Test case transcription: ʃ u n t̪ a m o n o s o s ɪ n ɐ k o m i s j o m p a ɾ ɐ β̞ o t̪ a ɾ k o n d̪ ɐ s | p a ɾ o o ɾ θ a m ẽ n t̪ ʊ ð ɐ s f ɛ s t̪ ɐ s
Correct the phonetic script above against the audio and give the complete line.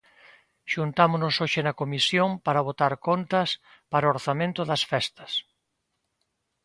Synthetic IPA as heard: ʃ u n t̪ a m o n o s o ʃ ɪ n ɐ k o m i s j o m p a ɾ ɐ β̞ o t̪ a ɾ k o n t̪ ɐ s | p a ɾ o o ɾ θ a m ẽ n t̪ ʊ ð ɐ s f ɛ s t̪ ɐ s